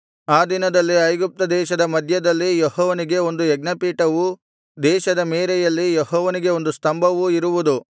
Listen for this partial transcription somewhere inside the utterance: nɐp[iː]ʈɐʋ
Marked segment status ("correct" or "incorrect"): correct